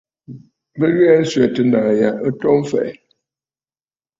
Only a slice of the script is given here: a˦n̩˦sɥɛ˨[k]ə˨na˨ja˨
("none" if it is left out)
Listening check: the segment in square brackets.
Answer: t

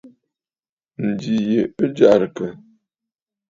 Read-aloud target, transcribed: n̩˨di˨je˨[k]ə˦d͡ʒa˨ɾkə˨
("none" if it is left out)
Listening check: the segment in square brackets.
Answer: none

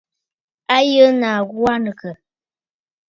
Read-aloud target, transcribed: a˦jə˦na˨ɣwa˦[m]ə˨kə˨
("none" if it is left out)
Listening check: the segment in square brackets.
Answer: n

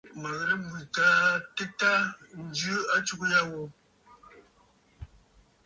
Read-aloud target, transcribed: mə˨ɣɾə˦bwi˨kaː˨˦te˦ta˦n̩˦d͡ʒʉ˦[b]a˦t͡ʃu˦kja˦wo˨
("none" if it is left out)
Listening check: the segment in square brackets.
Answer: none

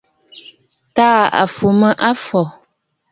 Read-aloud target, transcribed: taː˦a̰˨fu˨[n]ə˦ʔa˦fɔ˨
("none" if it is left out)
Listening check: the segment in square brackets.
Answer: m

